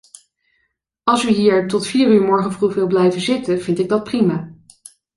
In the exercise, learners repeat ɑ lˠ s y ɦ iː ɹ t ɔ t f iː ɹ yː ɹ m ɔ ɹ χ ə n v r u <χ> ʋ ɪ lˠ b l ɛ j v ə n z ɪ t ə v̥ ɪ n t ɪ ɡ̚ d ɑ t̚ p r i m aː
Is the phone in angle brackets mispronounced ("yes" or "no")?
no